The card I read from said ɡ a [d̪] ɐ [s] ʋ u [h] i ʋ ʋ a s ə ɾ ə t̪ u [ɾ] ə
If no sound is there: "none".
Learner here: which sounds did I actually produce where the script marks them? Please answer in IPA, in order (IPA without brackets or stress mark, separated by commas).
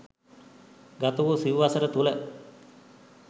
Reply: t̪, none, s, l